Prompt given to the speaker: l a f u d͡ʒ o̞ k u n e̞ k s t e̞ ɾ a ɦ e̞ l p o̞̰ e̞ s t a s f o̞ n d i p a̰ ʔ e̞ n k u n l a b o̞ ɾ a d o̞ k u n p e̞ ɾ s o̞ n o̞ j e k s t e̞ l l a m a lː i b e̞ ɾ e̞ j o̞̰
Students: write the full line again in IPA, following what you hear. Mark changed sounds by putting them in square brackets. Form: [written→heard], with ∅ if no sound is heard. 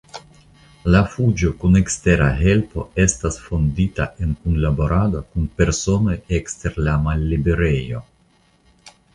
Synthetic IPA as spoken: l a f u d͡ʒ o̞ k u n e̞ k s t e̞ ɾ a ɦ e̞ l p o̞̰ e̞ s t a s f o̞ n d i [p→t] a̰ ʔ e̞ n k u n l a b o̞ ɾ a d o̞ k u n p e̞ ɾ s o̞ n o̞ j e k s t e̞ [l→ɾ] l a m a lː i b e̞ ɾ e̞ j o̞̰